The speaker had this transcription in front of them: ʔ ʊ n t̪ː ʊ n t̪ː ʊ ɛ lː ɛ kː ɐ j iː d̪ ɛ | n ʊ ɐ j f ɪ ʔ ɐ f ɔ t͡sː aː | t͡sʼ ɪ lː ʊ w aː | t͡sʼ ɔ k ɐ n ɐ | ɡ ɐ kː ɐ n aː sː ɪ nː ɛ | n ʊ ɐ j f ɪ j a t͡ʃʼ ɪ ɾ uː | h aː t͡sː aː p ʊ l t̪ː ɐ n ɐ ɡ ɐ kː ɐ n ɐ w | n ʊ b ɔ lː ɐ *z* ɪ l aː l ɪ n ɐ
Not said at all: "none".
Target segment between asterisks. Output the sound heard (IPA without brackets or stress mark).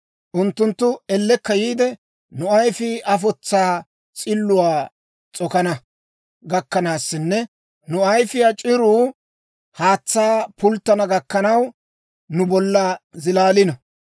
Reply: z